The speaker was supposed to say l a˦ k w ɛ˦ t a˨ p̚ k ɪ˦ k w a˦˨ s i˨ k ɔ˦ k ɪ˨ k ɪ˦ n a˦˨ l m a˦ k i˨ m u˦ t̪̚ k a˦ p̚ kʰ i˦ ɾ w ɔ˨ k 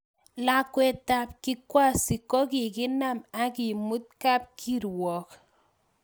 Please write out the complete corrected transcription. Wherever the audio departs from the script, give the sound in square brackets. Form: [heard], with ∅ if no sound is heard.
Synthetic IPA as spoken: l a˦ k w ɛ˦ t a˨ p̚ k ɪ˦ k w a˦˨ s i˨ k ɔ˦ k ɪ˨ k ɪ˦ n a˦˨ [∅] m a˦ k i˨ m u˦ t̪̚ k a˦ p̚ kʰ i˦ ɾ w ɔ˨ k